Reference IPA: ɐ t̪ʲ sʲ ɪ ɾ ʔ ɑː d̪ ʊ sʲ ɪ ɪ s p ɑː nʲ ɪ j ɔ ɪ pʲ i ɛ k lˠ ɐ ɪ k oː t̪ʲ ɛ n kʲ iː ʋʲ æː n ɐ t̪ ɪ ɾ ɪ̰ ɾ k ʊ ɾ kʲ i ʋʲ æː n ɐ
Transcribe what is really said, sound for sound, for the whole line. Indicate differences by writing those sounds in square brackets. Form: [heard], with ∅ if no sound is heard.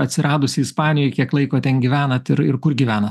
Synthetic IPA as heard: ɐ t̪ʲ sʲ ɪ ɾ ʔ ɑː d̪ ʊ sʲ ɪ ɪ s p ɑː nʲ ɪ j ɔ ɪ [kʲ] i ɛ k lˠ ɐ ɪ k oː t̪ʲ ɛ n [ɡʲ] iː ʋʲ æː n ɐ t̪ ɪ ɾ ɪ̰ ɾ k ʊ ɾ [ɡʲ] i ʋʲ æː n ɐ